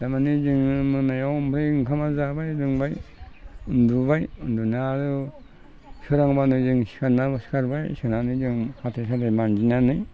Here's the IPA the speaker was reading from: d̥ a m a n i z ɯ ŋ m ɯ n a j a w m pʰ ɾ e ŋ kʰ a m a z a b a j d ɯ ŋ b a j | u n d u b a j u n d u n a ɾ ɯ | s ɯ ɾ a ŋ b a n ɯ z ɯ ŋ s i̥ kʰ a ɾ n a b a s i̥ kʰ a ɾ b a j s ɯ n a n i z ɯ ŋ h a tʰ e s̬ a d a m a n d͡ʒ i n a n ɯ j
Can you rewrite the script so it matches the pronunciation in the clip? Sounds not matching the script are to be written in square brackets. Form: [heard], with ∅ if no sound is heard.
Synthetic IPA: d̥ a m a n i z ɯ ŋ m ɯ n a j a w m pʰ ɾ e ŋ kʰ a m a z a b a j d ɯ ŋ b a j | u n d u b a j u n d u n a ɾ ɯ | s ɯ ɾ a ŋ b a n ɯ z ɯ ŋ s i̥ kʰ a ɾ n a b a s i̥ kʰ a ɾ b a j s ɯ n a n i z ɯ ŋ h a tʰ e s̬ a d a m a n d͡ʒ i n a n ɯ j

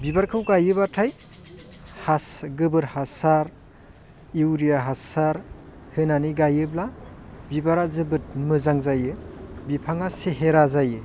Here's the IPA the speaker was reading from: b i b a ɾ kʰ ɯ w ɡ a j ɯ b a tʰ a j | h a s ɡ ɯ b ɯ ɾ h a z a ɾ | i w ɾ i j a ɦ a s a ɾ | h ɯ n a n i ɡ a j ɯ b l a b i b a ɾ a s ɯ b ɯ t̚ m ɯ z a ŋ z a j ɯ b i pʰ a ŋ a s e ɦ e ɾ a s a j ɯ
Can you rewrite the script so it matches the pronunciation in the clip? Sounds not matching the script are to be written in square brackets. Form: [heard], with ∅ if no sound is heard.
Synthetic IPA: b i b a ɾ kʰ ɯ w ɡ a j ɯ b a tʰ a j | h a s ɡ ɯ b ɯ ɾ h a [s] a ɾ | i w ɾ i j a ɦ a s a ɾ | h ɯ n a n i ɡ a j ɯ b l a b i b a ɾ a [z] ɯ b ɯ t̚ m ɯ z a ŋ z a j ɯ b i pʰ a ŋ a s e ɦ e ɾ a [z] a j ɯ

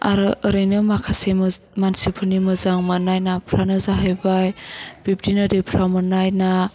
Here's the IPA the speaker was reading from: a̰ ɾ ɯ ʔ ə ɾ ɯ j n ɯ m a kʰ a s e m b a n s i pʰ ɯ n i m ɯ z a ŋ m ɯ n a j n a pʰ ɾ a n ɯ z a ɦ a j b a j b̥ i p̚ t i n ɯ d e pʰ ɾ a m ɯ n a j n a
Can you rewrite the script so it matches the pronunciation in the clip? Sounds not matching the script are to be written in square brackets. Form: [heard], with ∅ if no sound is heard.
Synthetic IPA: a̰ ɾ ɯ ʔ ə ɾ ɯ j n ɯ m a kʰ a s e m [m] a n s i pʰ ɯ n i m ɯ z a ŋ m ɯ n a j n a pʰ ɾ a n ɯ z a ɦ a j b a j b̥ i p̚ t i n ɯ d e pʰ ɾ a m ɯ n a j n a

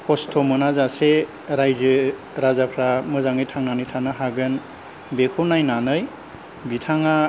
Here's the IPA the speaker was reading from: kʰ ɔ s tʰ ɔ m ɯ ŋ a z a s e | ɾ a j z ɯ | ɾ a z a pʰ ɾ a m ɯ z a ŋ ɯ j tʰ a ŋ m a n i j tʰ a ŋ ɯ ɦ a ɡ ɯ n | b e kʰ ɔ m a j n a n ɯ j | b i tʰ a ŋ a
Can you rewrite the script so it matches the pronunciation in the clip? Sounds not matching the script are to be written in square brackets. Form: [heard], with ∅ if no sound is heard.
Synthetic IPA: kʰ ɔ s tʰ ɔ m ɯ [n] a z a s e | ɾ a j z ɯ | ɾ a z a pʰ ɾ a m ɯ z a ŋ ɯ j tʰ a ŋ [n] a n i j tʰ a [n] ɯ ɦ a ɡ ɯ n | b e kʰ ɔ [n] a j n a n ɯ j | b i tʰ a ŋ a

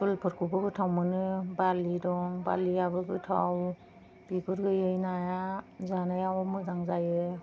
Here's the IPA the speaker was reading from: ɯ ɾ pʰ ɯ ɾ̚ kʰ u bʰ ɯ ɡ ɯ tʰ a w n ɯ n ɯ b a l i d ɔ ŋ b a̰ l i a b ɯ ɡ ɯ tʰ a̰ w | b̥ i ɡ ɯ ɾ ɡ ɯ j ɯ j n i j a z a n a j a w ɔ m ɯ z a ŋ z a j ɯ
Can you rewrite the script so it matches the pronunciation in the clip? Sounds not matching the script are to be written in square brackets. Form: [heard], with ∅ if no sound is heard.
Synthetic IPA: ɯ [l] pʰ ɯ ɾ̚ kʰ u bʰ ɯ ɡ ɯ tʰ a w [m] ɯ n ɯ b a l i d ɔ ŋ b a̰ l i a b ɯ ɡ ɯ tʰ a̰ w | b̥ i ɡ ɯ ɾ ɡ ɯ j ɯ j n [a] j a z a n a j a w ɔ m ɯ z a ŋ z a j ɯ

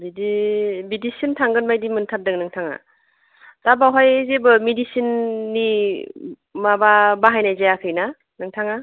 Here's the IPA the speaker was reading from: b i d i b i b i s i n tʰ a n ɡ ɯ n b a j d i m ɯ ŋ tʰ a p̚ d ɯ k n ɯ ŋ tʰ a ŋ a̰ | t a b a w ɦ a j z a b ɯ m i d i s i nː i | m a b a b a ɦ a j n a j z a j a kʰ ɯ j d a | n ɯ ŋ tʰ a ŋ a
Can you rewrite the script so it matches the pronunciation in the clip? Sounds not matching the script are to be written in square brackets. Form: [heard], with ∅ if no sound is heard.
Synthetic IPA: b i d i b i [d] i s i n tʰ a [ŋ] ɡ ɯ n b a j d i m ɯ [n] tʰ a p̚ d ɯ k n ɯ ŋ tʰ a ŋ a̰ | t a b a w ɦ a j z [e] b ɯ m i d i s i nː i | m a b a b a ɦ a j n a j z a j a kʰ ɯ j [n] a | n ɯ ŋ tʰ a ŋ a

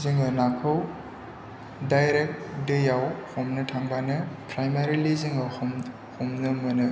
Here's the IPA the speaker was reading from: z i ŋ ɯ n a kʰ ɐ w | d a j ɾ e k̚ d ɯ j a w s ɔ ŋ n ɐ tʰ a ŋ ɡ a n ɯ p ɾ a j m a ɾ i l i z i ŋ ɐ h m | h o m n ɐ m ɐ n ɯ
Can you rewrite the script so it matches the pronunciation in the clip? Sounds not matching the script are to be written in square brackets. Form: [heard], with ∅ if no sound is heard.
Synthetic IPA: z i ŋ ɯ n a kʰ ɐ w | d a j ɾ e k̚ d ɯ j a w [h] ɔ [m] n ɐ tʰ a ŋ [b] a n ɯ p ɾ a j m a ɾ i l i z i ŋ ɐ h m | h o m n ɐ m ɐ n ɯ

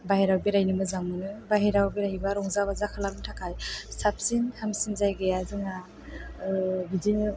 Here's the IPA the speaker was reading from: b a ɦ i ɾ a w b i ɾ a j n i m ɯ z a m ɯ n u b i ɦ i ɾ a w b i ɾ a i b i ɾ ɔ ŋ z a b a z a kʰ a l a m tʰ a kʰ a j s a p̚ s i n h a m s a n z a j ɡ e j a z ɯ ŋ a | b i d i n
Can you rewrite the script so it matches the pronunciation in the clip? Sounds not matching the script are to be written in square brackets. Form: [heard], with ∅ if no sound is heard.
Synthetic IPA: b a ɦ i ɾ a w b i ɾ a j n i m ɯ z a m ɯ n [ɯ] b [a] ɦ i ɾ a w b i ɾ a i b [a] ɾ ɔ ŋ z a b a z a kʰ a l a m tʰ a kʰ a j s a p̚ s i n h a m s [i] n z a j ɡ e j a z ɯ ŋ a | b i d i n

